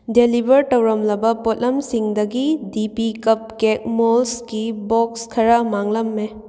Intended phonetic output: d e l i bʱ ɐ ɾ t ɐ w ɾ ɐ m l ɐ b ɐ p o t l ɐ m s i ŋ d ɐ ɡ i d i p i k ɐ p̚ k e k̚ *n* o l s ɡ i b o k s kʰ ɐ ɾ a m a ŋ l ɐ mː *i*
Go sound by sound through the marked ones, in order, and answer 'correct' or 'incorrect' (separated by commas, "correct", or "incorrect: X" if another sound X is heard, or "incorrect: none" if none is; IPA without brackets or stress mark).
incorrect: m, incorrect: e